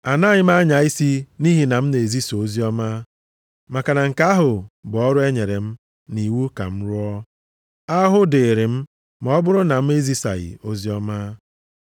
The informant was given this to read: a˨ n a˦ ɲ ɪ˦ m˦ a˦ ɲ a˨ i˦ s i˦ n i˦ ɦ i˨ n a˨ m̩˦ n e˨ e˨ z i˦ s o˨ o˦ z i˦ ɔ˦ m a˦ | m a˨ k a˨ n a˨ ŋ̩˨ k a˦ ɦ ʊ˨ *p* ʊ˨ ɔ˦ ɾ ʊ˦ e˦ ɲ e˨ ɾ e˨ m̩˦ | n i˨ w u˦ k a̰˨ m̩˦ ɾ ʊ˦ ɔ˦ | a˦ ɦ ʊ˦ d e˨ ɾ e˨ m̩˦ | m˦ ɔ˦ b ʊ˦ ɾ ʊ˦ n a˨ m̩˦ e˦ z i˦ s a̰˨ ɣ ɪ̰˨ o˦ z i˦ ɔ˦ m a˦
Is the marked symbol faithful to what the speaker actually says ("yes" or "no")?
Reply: no